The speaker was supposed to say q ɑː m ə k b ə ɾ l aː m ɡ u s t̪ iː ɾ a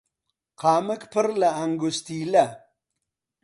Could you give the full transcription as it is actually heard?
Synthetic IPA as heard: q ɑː m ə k p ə ɾ l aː ŋ ɡ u s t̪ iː l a